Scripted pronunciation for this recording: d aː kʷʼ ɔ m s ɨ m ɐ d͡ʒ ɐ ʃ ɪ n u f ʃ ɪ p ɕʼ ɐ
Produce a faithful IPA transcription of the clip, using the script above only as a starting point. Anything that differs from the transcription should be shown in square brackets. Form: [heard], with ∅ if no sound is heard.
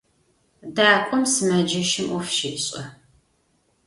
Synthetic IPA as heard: d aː kʷʼ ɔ m s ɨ m ɐ d͡ʒ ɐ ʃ ɪ [m] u f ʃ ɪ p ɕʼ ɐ